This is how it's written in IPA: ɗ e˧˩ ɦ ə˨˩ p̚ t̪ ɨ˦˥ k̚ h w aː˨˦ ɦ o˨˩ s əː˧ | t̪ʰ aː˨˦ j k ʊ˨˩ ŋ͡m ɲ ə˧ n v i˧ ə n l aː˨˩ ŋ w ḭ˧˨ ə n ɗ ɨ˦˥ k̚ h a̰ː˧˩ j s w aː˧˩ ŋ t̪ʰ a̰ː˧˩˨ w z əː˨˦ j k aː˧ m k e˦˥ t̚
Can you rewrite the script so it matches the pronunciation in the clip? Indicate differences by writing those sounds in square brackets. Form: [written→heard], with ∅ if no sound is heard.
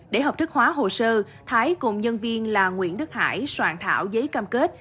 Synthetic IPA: ɗ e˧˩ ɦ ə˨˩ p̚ t̪ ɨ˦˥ k̚ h w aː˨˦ ɦ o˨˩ s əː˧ | t̪ʰ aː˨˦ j k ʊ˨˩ ŋ͡m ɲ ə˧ n v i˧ ə n l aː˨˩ ŋ w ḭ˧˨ ə n ɗ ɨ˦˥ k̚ h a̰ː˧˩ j s w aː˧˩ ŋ t̪ʰ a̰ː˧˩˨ w z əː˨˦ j k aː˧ m k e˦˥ t̚